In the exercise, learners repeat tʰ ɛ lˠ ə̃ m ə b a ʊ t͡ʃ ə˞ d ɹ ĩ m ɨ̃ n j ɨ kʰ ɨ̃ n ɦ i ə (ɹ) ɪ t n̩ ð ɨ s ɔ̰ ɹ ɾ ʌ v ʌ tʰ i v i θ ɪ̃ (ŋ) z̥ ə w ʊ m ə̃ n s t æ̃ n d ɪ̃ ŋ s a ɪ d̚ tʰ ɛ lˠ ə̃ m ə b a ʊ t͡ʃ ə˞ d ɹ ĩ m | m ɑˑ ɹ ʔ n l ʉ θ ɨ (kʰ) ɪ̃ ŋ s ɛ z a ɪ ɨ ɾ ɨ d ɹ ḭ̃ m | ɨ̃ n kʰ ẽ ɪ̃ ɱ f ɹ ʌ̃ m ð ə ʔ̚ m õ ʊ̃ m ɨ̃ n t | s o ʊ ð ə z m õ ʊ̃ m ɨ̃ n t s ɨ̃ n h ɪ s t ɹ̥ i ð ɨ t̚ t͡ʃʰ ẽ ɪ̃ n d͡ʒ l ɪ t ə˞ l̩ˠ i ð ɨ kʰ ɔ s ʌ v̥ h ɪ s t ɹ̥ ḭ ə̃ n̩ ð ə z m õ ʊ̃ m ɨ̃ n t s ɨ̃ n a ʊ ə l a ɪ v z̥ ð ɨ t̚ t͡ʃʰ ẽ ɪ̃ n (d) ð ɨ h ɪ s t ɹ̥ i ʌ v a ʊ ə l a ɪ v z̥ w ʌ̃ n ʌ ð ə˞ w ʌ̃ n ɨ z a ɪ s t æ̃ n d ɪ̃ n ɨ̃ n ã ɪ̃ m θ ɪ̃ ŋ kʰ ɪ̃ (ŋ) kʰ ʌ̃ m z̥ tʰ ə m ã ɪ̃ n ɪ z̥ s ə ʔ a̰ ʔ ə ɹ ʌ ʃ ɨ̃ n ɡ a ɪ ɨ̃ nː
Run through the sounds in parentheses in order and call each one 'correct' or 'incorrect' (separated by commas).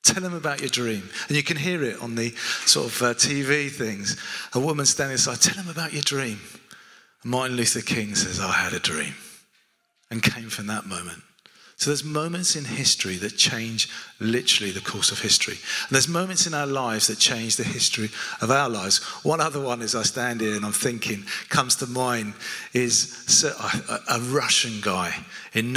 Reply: correct, correct, correct, incorrect, correct